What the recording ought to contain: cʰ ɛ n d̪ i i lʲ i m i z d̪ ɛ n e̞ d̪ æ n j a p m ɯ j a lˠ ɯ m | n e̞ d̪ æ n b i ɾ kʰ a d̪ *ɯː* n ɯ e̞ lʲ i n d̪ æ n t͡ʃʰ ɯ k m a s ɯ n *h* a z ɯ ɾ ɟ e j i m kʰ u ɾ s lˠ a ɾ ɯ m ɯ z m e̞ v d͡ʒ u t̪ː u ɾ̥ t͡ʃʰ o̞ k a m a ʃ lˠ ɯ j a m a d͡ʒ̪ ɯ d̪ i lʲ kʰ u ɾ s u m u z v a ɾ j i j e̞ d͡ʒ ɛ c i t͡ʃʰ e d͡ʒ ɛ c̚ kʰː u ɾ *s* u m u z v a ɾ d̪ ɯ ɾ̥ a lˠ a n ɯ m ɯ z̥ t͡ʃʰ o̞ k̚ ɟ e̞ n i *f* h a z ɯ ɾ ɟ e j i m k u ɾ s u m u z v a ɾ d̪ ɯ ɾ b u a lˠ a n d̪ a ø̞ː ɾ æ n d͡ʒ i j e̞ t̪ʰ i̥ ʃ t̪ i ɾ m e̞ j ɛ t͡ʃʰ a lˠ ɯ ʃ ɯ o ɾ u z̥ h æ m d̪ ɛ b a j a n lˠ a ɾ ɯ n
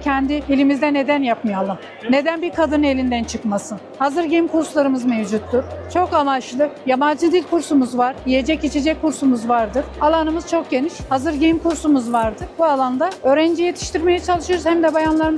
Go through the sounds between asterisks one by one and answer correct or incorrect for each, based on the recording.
incorrect, correct, correct, incorrect

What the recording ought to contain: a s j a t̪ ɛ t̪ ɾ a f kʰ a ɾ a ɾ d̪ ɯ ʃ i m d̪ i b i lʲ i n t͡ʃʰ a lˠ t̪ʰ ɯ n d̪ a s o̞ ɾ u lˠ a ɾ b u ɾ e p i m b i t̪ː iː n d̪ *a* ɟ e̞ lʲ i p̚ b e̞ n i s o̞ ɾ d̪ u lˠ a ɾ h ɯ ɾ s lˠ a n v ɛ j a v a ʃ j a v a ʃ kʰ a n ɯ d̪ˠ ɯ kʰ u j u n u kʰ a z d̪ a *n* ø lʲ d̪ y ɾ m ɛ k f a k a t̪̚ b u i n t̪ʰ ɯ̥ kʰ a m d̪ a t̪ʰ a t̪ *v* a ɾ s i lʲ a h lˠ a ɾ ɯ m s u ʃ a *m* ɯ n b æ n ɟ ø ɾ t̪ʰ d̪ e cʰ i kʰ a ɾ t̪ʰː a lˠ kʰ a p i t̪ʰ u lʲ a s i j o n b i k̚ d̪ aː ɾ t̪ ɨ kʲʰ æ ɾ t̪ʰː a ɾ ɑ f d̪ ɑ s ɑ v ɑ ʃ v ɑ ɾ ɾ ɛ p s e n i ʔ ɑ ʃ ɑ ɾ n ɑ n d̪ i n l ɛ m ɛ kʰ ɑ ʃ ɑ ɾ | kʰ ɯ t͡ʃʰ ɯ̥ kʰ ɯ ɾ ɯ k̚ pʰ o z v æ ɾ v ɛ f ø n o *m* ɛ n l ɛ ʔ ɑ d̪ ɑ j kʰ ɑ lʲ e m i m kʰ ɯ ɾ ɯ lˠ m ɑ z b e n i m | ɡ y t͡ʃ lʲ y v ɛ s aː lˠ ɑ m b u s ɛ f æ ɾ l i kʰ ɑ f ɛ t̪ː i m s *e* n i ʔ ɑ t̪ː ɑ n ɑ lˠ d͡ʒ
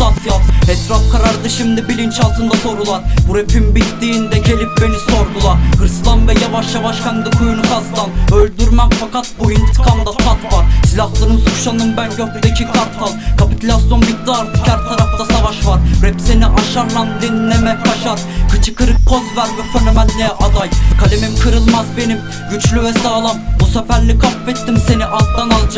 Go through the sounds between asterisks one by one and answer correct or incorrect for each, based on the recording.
incorrect, correct, correct, incorrect, correct, correct

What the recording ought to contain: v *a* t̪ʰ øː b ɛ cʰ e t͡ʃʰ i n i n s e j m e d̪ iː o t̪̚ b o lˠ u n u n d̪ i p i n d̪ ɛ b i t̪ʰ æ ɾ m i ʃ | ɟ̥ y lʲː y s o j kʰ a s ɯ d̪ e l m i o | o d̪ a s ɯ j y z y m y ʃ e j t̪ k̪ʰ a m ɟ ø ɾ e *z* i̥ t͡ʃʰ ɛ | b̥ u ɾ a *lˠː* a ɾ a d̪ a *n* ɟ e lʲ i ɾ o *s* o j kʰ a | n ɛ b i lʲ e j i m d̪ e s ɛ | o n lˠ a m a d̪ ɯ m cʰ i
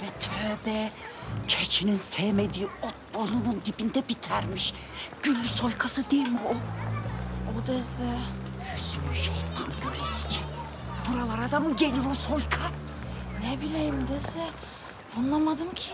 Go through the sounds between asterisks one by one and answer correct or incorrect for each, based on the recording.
incorrect, incorrect, incorrect, incorrect, correct

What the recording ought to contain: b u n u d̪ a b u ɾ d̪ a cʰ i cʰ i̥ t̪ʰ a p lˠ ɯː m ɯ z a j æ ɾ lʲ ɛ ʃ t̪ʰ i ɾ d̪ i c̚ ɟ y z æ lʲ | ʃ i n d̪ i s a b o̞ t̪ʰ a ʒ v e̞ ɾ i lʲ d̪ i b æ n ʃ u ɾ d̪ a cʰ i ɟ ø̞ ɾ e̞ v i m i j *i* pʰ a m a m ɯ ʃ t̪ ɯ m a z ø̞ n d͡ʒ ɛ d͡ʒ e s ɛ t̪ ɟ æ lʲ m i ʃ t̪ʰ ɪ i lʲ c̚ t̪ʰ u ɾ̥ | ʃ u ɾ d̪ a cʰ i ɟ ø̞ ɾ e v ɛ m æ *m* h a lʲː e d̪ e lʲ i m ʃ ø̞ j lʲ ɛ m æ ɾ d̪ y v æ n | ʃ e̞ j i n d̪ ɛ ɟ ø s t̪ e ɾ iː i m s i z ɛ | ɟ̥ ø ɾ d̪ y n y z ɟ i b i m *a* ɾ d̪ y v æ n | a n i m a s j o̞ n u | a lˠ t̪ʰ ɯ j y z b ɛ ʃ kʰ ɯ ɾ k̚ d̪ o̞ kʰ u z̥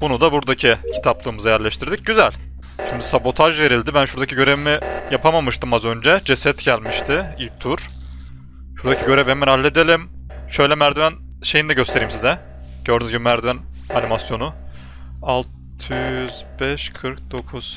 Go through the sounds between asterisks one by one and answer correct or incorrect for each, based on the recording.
incorrect, incorrect, incorrect

